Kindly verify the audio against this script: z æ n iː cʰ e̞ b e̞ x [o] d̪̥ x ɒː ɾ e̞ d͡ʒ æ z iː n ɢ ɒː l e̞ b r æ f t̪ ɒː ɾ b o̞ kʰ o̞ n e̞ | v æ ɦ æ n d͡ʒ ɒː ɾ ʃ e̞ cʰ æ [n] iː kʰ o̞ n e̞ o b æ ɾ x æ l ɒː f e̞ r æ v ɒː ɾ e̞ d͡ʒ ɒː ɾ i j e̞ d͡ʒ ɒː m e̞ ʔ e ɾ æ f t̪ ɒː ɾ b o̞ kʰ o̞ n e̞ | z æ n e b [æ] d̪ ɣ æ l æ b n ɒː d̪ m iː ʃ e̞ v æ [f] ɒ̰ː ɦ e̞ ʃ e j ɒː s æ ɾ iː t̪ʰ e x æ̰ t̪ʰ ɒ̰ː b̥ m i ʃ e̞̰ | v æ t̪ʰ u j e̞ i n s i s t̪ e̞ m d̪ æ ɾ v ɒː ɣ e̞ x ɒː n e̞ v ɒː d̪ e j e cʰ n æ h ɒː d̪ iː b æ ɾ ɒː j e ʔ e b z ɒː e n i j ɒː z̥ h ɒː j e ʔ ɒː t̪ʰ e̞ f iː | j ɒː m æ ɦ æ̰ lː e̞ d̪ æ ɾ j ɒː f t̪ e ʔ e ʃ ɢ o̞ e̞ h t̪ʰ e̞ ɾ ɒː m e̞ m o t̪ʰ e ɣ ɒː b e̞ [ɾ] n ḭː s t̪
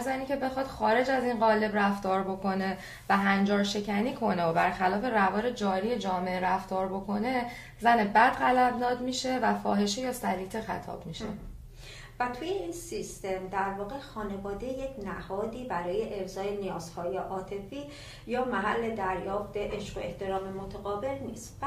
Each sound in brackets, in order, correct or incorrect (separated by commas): incorrect, correct, correct, correct, incorrect